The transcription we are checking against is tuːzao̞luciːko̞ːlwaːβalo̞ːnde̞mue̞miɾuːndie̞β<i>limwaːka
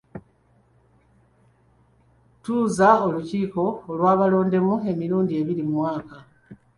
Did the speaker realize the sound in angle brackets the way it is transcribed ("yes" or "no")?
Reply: yes